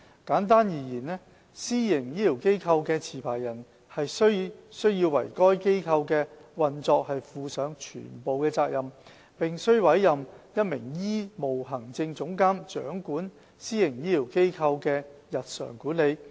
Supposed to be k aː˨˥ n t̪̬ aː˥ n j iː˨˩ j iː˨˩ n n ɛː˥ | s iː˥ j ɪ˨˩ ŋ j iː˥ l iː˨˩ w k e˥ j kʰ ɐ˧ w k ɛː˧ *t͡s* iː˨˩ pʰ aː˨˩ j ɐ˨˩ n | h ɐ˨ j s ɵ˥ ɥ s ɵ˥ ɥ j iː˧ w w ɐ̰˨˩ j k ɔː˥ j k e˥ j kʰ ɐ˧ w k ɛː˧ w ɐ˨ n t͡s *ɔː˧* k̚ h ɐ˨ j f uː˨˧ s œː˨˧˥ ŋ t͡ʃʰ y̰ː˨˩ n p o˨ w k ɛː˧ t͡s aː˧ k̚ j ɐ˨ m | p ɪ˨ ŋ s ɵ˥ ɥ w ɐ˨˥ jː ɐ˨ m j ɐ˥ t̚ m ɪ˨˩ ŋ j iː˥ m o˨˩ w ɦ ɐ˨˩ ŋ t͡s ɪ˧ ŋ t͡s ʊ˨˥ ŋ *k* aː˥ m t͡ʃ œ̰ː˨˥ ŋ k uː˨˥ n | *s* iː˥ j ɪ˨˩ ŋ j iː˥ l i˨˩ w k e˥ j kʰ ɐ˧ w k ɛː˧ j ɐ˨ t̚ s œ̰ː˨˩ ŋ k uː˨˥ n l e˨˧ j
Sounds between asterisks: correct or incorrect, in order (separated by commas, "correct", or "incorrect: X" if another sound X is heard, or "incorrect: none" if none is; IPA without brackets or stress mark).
incorrect: t͡sʰ, correct, correct, correct